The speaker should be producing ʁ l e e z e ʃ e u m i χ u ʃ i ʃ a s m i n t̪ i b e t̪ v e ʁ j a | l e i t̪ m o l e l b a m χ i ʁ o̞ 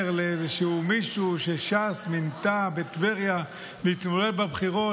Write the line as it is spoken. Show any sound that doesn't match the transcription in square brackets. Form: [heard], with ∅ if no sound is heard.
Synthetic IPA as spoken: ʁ l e e z e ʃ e u m i [ʃ] u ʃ [e] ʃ a s m i n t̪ [a] b e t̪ v e ʁ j a | l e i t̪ m o l e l b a [b] χ i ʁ o̞